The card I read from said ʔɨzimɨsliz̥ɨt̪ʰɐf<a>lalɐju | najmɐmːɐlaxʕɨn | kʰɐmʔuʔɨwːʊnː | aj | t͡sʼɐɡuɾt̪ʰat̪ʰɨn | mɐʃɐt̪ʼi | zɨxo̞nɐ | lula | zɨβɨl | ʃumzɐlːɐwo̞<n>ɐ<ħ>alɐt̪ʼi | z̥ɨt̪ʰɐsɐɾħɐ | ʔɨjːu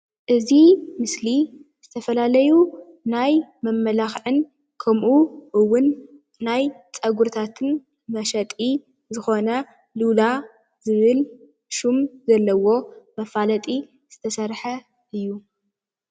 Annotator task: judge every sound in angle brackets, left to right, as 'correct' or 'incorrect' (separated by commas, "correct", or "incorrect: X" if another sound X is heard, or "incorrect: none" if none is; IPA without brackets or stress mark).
incorrect: ɐ, incorrect: m, incorrect: f